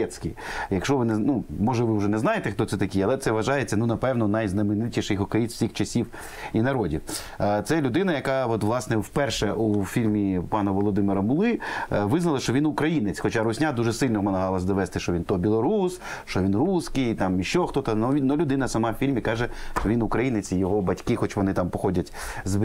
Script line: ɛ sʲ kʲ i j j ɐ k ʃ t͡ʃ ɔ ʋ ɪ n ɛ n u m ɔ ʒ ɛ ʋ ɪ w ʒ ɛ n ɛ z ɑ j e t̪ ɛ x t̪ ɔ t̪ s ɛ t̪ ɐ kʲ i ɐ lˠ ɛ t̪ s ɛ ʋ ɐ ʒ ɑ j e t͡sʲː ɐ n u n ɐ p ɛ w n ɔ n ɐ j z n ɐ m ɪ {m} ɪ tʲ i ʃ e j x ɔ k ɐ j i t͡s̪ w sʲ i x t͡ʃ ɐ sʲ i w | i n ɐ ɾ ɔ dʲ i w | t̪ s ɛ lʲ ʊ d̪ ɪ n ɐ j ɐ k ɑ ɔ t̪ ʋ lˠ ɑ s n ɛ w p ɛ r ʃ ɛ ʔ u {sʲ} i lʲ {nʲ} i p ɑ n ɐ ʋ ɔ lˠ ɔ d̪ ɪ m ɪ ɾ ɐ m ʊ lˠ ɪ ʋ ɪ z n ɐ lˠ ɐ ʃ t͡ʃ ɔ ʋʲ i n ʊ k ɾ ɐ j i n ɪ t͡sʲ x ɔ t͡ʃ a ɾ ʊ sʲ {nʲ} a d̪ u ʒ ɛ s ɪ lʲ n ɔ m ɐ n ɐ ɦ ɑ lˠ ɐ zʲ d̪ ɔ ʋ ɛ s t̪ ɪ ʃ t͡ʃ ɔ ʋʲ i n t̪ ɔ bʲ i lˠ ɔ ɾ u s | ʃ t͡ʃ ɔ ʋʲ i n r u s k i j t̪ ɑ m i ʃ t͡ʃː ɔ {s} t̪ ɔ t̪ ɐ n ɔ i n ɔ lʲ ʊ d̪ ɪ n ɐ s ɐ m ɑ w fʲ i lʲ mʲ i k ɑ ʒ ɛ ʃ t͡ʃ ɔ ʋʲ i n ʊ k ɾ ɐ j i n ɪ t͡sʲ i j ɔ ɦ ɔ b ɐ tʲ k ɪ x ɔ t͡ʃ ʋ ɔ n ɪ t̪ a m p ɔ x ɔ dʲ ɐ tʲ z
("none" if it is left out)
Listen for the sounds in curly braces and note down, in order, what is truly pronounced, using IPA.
n, fʲ, mʲ, nʲ, x

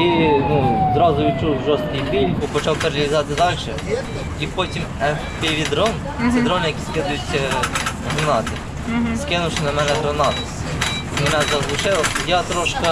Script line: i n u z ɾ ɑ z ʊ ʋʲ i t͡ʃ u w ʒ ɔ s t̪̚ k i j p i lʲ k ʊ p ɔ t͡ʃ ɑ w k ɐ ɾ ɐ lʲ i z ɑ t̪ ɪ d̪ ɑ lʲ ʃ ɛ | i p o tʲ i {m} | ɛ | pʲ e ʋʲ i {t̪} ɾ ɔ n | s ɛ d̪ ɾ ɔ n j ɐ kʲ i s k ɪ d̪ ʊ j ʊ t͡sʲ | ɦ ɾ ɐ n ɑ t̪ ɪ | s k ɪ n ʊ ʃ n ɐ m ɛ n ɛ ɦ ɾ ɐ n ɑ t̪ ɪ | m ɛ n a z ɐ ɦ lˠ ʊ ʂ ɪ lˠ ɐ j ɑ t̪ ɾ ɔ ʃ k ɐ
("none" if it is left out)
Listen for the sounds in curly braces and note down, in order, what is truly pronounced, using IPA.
m, d̪

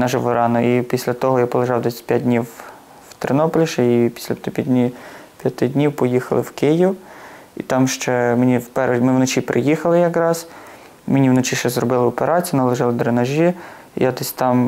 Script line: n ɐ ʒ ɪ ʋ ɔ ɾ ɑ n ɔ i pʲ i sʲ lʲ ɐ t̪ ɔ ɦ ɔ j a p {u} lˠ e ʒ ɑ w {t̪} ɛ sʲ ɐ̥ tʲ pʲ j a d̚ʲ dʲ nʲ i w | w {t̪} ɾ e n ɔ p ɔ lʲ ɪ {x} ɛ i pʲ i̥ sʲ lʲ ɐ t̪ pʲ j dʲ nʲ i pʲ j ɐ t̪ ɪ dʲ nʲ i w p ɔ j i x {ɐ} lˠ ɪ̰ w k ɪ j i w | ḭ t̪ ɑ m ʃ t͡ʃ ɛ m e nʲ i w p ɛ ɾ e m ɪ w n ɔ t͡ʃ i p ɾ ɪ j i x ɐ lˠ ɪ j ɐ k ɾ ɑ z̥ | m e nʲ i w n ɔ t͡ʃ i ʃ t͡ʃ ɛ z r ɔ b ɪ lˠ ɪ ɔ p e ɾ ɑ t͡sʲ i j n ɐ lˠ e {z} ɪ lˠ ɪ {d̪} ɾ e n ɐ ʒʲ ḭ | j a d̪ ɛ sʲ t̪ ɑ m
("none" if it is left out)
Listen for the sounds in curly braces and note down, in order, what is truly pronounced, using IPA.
ɔ, d̪, t̪, ʃ, ɐ, ʒ, d̪

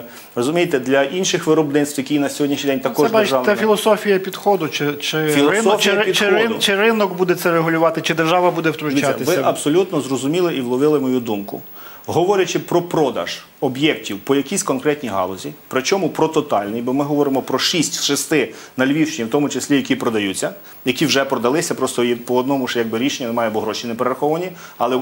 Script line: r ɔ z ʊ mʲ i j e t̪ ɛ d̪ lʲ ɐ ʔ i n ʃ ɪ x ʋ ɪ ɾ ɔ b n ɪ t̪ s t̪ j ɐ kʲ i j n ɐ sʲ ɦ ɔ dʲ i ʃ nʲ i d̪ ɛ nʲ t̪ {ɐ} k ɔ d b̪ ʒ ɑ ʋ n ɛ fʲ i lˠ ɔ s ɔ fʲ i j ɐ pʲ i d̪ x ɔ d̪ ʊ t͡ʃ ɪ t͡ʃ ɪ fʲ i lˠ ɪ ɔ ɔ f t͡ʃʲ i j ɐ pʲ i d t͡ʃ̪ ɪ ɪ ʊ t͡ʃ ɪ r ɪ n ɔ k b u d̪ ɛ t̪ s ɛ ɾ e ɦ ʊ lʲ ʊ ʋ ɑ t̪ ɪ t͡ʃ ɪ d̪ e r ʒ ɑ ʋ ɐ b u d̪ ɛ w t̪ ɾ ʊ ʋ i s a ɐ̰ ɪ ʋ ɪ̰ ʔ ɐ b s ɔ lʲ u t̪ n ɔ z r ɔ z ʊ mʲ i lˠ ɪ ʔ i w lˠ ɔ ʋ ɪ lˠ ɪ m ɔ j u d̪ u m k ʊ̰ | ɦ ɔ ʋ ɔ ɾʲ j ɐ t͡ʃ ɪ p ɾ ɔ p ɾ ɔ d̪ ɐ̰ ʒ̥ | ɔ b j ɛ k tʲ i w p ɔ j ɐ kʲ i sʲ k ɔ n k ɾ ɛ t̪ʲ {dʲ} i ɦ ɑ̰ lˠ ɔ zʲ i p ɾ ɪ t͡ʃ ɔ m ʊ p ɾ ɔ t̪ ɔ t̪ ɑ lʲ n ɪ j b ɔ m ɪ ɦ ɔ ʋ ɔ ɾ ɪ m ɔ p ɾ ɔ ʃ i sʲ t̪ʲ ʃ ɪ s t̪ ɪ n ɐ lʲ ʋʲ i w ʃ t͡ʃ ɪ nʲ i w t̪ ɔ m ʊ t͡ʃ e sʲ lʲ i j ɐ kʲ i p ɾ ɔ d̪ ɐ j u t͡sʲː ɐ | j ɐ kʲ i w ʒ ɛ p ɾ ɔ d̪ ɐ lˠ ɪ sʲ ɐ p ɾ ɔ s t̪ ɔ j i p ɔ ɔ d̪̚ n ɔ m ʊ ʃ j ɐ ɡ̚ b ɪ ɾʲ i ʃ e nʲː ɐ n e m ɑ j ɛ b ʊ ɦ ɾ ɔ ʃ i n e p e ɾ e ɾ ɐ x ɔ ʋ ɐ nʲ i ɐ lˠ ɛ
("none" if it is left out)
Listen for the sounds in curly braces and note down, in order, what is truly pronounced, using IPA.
ɐ, nʲ

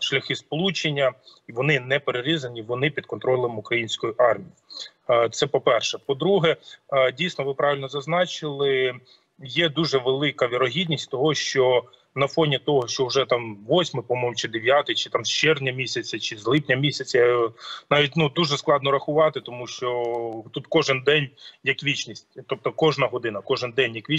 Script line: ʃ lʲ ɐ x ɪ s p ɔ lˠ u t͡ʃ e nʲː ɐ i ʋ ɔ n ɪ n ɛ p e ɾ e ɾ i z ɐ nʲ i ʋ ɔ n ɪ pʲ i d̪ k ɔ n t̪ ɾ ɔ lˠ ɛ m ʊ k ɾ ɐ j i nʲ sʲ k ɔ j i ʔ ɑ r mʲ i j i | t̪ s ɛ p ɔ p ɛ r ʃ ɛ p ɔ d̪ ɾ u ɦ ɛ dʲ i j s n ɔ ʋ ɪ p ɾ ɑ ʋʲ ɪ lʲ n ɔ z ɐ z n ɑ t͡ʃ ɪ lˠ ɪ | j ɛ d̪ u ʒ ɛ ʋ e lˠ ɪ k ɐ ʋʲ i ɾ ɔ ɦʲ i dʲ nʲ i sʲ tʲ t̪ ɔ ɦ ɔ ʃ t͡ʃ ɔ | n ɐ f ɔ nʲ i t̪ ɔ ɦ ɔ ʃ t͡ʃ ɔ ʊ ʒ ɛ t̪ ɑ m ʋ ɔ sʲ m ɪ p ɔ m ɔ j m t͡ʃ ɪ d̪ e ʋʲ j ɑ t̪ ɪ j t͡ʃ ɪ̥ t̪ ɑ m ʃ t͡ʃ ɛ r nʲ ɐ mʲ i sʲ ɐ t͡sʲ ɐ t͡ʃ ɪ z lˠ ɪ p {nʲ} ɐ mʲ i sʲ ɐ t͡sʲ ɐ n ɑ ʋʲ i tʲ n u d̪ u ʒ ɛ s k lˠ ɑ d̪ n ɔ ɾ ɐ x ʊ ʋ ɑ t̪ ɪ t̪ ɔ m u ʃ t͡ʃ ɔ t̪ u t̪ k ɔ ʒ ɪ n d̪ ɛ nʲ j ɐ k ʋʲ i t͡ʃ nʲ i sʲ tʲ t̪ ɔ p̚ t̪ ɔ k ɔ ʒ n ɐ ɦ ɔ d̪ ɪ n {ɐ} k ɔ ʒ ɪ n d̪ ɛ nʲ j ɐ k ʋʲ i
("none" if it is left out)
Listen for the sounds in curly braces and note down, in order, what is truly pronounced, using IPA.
nʲ, ɐ

